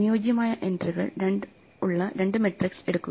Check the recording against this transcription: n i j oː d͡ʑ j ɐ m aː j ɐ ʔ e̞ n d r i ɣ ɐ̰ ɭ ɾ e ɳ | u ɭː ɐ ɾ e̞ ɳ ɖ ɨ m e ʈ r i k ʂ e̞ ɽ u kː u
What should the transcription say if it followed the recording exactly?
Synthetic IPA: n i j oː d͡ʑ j ɐ m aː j ɐ ʔ e̞ n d r i ɣ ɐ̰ ɭ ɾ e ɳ | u ɭː ɐ ɾ e̞ ɳ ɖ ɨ m e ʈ r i k s e̞ ɽ u kː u